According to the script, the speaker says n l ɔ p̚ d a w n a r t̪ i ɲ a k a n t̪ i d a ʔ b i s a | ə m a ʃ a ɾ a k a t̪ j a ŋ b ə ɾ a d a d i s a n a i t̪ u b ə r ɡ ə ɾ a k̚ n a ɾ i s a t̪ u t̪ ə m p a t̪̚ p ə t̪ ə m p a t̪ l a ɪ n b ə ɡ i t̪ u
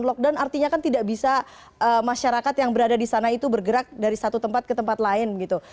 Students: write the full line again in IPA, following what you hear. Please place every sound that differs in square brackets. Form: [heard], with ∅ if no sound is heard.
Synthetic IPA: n l ɔ [k̚] d a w n a r t̪ i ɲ a k a n t̪ i d a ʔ b i s a | ə m a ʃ a ɾ a k a t̪ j a ŋ b ə ɾ a d a d i s a n a i t̪ u b ə r ɡ ə ɾ a k̚ [d] a ɾ i s a t̪ u t̪ ə m p a t̪̚ [k] ə t̪ ə m p a t̪ l a ɪ n b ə ɡ i t̪ u